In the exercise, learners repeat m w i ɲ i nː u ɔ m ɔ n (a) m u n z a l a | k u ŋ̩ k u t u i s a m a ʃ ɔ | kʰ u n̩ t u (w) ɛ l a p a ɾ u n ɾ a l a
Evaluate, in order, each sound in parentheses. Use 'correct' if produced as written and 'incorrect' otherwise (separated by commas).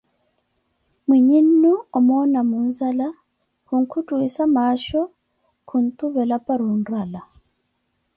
correct, incorrect